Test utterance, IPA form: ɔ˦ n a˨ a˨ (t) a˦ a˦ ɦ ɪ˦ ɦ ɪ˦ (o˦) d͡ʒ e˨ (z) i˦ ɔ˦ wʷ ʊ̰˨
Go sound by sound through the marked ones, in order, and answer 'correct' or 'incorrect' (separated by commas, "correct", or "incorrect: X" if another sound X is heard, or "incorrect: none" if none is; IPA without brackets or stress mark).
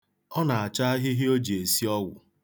incorrect: t͡ʃ, correct, incorrect: s